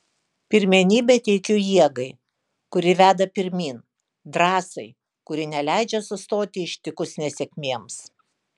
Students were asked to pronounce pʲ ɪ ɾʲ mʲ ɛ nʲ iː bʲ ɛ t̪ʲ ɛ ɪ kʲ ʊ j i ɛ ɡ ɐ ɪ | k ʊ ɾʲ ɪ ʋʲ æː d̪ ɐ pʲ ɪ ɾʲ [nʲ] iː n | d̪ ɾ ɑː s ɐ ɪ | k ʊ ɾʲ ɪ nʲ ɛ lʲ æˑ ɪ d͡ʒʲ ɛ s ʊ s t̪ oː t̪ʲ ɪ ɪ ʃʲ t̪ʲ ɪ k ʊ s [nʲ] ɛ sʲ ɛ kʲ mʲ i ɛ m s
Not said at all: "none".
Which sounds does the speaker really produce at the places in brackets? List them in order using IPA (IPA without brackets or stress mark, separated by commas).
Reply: mʲ, nʲ